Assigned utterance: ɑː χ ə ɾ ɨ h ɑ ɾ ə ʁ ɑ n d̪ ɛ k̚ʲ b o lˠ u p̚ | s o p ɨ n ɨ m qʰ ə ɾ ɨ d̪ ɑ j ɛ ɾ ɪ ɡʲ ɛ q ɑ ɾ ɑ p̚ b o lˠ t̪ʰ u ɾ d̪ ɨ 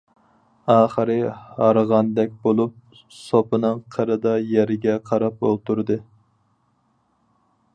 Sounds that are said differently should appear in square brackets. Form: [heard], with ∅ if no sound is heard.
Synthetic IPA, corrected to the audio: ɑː χ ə ɾ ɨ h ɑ ɾ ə ʁ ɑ n d̪ ɛ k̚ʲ b o lˠ u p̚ | s o p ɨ n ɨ [ŋ] qʰ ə ɾ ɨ d̪ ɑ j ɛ ɾ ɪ ɡʲ ɛ [qʰ] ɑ ɾ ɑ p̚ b o lˠ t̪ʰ u ɾ d̪ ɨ